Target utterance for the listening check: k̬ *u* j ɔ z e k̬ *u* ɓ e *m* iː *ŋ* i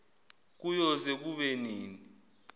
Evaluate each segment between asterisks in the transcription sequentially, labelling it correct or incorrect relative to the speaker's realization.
correct, correct, incorrect, incorrect

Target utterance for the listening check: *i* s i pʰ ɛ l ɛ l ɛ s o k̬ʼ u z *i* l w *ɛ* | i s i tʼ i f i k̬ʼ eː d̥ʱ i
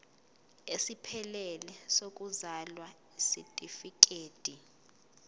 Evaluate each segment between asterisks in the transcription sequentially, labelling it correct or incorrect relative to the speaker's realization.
incorrect, incorrect, incorrect

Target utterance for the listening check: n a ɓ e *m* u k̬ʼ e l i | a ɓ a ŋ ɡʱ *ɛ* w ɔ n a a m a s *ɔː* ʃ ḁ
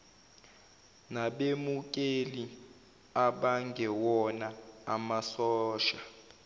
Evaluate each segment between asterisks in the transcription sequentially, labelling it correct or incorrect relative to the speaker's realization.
correct, correct, correct

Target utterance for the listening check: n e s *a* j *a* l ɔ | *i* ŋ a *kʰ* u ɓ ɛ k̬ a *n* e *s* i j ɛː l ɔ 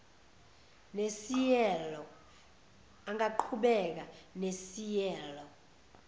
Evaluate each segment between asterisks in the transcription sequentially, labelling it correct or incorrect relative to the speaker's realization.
incorrect, incorrect, incorrect, incorrect, correct, correct

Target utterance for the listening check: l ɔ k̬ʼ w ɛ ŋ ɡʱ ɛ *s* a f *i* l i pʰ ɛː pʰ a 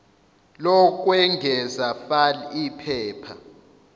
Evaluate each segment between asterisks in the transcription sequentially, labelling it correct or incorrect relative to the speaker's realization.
incorrect, incorrect

